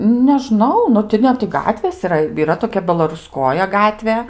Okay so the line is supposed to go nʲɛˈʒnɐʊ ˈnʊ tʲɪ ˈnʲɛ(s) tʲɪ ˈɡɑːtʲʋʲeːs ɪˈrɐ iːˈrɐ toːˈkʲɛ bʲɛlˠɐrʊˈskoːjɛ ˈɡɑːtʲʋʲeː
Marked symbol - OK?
no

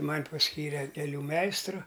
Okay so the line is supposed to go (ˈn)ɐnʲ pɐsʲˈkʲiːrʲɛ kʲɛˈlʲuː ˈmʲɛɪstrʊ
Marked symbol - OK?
no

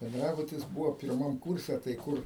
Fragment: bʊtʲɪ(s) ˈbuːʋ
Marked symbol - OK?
yes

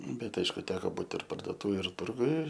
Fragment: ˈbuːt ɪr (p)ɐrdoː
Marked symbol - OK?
yes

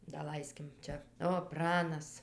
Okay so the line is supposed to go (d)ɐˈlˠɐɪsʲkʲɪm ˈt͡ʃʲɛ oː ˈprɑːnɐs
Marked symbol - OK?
yes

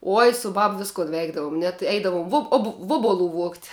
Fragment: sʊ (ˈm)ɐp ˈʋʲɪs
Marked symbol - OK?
no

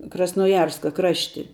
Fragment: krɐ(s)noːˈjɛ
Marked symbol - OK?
yes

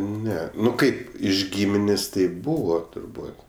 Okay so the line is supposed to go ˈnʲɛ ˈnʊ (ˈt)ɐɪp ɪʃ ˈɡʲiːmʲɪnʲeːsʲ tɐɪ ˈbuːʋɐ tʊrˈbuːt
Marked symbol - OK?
no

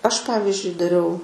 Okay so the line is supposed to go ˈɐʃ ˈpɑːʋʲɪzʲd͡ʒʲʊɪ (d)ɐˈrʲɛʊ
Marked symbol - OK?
yes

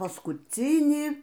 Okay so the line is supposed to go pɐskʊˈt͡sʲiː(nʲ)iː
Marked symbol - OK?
yes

